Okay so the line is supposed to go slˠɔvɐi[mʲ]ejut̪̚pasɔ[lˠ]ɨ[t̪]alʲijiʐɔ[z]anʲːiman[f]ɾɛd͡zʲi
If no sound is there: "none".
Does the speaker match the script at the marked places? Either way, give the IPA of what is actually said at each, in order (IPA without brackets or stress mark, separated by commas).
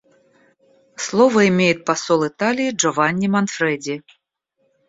mʲ, lˠ, t̪, v, f